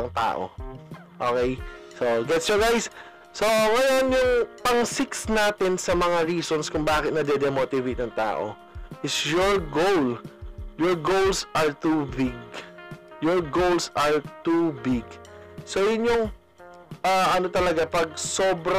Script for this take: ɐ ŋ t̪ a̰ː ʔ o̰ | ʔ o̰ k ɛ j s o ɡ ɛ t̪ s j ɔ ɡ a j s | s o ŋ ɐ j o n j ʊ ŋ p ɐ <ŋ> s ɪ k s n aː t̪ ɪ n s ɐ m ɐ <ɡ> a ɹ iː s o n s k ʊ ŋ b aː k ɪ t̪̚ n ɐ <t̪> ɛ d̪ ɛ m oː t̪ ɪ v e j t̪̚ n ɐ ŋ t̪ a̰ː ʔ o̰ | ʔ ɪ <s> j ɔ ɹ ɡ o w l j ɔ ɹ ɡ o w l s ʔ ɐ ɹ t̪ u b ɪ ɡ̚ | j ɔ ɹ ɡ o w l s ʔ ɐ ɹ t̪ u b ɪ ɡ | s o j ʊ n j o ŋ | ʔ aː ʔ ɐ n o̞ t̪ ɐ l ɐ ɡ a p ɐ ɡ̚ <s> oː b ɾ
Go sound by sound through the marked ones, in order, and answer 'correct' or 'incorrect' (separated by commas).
correct, incorrect, incorrect, correct, correct